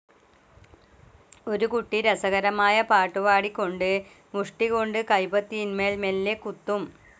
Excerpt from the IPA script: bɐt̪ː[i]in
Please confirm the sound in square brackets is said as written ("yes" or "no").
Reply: yes